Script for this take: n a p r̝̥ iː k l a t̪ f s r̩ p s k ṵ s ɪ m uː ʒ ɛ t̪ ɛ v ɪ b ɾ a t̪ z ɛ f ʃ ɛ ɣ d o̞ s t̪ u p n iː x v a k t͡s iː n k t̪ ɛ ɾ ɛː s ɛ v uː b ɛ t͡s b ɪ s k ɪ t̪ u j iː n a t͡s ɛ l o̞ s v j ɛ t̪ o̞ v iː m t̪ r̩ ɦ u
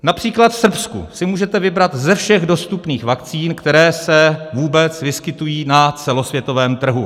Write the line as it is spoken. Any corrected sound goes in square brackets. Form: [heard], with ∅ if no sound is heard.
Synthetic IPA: n a p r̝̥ iː k l a t̪ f s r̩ p s k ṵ s ɪ m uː ʒ ɛ t̪ ɛ v ɪ b ɾ a t̪ z ɛ f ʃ ɛ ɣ d o̞ s t̪ u p n iː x v a k t͡s iː n k t̪ ɛ ɾ ɛː s ɛ v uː b ɛ t͡s [v] ɪ s k ɪ t̪ u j iː n a t͡s ɛ l o̞ s v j ɛ t̪ o̞ v [ɛː] m t̪ r̩ ɦ u